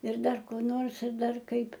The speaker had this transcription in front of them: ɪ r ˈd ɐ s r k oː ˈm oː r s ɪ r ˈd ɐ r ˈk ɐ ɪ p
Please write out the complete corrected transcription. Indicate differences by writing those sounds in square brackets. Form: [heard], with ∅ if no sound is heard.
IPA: ɪ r ˈd ɐ [∅] r k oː [ˈn] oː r s ɪ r ˈd ɐ r ˈk ɐ ɪ p